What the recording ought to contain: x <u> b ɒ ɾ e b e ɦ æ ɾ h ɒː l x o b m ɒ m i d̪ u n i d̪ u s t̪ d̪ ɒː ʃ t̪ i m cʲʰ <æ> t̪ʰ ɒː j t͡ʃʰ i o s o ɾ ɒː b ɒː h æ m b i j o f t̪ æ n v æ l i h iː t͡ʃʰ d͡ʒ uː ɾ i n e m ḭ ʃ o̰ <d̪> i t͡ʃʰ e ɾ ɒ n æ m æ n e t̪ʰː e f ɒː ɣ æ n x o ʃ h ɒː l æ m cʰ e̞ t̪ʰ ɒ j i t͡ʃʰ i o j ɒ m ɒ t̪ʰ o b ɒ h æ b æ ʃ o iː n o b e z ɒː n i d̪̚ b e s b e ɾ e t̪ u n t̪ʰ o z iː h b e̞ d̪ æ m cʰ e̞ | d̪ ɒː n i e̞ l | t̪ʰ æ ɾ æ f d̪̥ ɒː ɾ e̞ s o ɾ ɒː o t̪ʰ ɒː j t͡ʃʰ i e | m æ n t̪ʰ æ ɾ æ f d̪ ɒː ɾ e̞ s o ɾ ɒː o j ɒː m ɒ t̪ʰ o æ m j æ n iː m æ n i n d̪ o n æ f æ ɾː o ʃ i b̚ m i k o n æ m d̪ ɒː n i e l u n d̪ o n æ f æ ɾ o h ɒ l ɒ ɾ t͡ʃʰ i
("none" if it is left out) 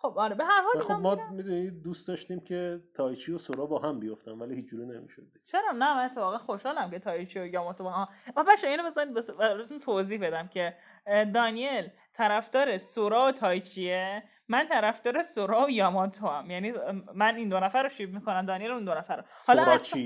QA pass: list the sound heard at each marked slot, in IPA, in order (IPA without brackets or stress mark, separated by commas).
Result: o, e, d̪